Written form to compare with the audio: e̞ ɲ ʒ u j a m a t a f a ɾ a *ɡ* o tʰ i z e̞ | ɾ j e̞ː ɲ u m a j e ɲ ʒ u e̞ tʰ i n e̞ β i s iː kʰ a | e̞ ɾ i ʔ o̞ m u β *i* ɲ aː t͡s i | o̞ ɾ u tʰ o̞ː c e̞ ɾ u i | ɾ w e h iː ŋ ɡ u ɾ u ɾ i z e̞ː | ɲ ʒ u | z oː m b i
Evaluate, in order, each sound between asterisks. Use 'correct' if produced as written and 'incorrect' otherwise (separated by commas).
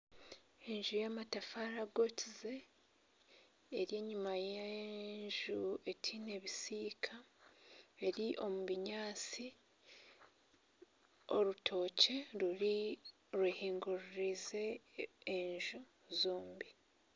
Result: correct, correct